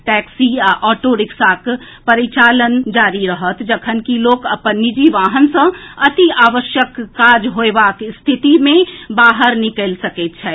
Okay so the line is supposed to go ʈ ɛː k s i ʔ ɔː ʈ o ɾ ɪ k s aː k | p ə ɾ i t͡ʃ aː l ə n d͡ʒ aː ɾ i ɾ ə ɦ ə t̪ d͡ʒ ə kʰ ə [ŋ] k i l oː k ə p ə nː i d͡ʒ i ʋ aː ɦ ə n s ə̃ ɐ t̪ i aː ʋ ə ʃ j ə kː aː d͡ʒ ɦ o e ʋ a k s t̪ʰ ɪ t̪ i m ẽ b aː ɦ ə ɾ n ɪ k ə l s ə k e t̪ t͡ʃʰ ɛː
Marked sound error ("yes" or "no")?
yes